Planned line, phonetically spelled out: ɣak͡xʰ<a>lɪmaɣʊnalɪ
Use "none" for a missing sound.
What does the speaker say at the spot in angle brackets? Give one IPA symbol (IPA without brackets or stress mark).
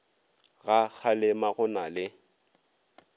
a